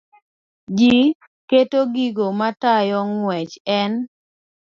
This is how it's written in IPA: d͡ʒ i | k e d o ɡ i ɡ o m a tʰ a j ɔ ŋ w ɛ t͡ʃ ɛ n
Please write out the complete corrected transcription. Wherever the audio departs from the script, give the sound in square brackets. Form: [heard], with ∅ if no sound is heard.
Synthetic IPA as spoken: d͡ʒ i | k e [t] o ɡ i ɡ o m a [t] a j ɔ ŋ w ɛ t͡ʃ ɛ n